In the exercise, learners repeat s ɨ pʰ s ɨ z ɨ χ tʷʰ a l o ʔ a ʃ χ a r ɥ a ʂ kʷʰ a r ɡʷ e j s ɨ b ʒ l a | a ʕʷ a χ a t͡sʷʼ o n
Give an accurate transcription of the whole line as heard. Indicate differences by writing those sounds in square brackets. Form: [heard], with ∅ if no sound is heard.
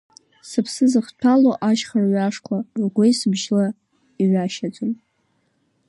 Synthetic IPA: s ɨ pʰ s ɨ z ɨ χ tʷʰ a l o ʔ a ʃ χ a r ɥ a ʂ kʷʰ a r ɡʷ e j s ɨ b ʒ l a | [i] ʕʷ a [ʃ] a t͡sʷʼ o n